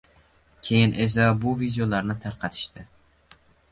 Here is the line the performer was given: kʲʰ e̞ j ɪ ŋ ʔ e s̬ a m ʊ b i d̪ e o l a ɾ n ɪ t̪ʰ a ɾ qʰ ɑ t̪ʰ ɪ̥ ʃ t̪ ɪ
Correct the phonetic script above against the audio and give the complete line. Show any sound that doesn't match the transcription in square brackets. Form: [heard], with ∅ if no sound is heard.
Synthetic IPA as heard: kʲʰ e̞ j ɪ [n] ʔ e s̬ a [b] ʊ [v] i d̪ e o l a ɾ n ɪ t̪ʰ a ɾ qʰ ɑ t̪ʰ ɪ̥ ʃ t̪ ɪ